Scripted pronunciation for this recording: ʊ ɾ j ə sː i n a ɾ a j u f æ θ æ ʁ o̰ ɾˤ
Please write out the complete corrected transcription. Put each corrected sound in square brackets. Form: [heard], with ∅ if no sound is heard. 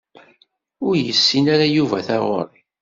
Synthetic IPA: ʊ ɾ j ə sː i n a ɾ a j u [v] æ θ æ ʁ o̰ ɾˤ

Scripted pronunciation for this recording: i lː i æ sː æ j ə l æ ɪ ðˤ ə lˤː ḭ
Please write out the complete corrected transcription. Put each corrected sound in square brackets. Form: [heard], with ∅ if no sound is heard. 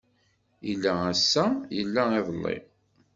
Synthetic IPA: i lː [æ] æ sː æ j ə [lː] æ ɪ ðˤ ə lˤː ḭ

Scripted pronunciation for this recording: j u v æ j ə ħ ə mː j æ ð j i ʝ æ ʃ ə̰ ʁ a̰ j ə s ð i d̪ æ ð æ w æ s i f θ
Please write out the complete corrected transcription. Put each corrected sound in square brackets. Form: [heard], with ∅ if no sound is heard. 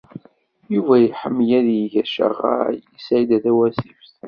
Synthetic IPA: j u v æ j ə ħ ə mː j æ ð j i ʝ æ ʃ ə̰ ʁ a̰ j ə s [ʕ] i d̪ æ ð æ w æ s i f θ

